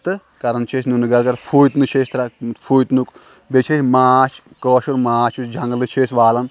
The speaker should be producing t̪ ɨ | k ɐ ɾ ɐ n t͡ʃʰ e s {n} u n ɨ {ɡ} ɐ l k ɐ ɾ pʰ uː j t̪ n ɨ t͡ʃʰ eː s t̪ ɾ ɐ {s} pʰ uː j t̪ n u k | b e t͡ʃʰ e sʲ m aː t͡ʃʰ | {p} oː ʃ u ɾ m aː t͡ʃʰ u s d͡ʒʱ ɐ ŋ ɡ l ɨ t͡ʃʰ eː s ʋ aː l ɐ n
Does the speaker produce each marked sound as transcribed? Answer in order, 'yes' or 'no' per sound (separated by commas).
yes, yes, no, no